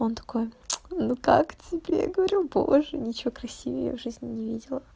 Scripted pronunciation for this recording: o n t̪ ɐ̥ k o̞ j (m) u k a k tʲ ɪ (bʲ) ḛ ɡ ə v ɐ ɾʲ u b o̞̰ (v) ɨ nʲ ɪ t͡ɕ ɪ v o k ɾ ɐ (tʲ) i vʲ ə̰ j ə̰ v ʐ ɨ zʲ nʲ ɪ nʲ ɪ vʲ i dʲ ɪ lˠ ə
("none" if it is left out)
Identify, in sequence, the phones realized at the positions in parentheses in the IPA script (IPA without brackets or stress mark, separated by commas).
n, bʲ, ʐ, sʲ